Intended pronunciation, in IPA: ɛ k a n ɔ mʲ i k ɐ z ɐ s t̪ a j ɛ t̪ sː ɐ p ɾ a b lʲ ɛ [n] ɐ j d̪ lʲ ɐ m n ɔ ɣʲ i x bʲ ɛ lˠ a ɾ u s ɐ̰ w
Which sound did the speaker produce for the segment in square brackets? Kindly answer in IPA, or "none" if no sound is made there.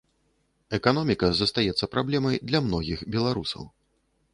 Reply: m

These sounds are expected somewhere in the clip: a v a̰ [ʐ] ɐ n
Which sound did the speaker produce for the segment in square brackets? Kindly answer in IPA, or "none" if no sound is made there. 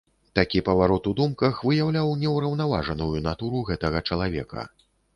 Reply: ʐ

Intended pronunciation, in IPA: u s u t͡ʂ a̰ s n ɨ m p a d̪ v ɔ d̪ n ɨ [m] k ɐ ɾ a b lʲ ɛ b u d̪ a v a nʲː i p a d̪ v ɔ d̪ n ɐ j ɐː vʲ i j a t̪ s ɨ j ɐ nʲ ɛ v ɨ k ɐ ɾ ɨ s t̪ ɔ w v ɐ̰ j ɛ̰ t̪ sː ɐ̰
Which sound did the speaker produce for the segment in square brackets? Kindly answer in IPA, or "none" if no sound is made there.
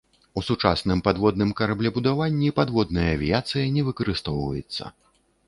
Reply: m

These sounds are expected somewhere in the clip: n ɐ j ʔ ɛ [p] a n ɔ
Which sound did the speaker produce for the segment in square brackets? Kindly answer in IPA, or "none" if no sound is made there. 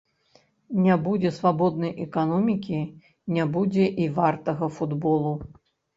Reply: k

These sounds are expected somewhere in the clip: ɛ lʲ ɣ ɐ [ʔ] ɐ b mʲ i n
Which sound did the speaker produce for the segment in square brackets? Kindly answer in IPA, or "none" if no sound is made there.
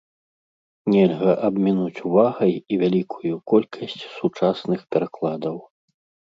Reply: ʔ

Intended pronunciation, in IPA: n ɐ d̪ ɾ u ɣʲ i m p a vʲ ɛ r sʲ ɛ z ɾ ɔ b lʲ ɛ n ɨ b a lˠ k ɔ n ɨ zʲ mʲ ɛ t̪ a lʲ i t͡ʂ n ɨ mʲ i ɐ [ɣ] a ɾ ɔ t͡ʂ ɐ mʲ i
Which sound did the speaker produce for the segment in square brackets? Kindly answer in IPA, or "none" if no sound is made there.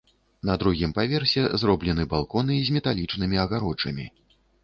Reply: ɣ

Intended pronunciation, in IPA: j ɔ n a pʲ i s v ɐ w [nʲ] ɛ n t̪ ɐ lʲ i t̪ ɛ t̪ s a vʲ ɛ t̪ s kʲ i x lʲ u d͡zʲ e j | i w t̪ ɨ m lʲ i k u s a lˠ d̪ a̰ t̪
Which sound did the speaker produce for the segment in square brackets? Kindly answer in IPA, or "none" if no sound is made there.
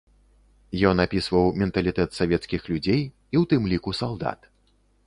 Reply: mʲ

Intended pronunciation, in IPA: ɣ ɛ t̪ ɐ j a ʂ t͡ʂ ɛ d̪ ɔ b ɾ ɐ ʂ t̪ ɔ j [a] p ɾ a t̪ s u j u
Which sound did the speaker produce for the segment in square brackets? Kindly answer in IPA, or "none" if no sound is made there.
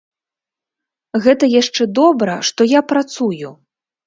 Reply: a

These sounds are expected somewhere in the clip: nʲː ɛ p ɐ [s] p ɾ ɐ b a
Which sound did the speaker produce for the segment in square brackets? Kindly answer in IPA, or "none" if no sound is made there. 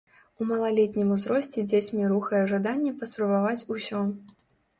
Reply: s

